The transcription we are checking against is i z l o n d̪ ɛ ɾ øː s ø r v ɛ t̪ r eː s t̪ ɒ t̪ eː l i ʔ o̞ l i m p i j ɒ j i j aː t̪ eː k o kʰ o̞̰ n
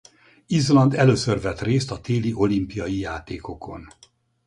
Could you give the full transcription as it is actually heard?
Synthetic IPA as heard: i z l ɒ n d̪ ɛ l øː s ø r v ɛ t̪ r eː s t̪ ɒ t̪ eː l i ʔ o̞ l i m p i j ɒ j i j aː t̪ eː k o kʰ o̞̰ n

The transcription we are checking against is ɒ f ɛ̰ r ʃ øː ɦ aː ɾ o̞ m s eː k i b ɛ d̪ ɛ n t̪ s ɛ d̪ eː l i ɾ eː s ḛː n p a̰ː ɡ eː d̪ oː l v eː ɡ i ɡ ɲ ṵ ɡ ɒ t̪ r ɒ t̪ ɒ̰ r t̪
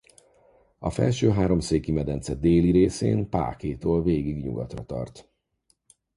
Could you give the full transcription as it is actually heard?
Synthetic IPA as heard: ɒ f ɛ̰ l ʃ øː ɦ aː ɾ o̞ m s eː k i m ɛ d̪ ɛ n t̪ s ɛ d̪ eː l i ɾ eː s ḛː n p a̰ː k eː t̪ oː l v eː ɡ i ɡ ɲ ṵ ɡ ɒ t̪ r ɒ t̪ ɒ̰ r t̪

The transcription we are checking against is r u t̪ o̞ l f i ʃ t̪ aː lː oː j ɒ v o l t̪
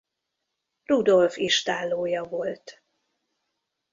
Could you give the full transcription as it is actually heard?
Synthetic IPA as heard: r u d̪ o̞ l f i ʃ t̪ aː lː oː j ɒ v o l t̪

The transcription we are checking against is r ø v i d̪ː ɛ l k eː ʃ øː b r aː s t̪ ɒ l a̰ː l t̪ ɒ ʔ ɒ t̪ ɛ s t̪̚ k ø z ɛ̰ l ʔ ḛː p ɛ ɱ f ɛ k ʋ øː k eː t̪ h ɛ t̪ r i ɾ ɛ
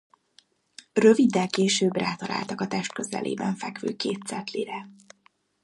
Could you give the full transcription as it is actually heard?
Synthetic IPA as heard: r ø v i d̪ː ɛ l k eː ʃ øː b r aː t̪ ɒ l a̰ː l t̪ ɒ k ɒ t̪ ɛ ʃ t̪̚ k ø z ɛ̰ l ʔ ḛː b ɛ ɱ f ɛ k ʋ øː k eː t̪ s ɛ t̪ l i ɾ ɛ

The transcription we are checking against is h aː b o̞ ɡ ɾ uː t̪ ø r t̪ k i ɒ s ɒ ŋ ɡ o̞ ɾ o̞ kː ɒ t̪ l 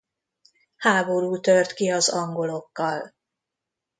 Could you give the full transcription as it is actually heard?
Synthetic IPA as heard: h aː b o̞ ɾ uː t̪ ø r t̪ k i ɒ z ɒ ŋ ɡ o̞ l o̞ kː ɒ l

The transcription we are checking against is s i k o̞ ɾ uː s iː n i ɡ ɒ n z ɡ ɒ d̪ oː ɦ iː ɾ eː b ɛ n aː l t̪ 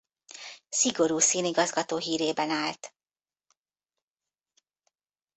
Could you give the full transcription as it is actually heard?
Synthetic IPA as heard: s i ɡ o̞ ɾ uː s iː n i ɡ ɒ z ɡ ɒ t̪ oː ɦ iː ɾ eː b ɛ n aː l t̪

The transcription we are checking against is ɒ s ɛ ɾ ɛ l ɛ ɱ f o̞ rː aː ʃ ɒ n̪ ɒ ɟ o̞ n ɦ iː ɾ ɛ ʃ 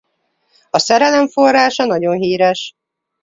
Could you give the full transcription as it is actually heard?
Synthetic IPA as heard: ɒ s ɛ ɾ ɛ l ɛ ɱ f o̞ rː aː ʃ ɒ n̪ ɒ ɟ o̞ n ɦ iː ɾ ɛ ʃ

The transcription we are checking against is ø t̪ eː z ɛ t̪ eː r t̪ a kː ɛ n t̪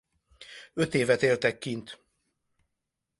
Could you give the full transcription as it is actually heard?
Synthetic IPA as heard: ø t̪ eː v ɛ t̪ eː l t̪ ɛ kː i n t̪

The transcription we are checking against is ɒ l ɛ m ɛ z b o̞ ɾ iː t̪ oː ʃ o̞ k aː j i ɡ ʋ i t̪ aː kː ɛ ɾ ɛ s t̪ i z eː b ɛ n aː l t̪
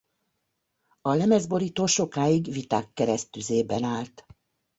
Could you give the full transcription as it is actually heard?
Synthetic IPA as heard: ɒ l ɛ m ɛ z b o̞ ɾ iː t̪ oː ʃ o̞ k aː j i ɡ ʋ i t̪ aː kː ɛ ɾ ɛ s t̪ y z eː b ɛ n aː l t̪

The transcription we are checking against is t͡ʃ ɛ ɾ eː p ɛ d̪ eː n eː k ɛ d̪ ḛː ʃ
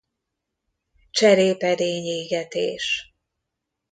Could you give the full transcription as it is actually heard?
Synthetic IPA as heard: t͡ʃ ɛ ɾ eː p ɛ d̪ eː ɲ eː ɡ ɛ t̪ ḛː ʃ

